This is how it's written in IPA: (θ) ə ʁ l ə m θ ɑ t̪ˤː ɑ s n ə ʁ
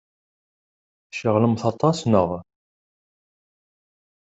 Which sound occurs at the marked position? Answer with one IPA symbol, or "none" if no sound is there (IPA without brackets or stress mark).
ʃ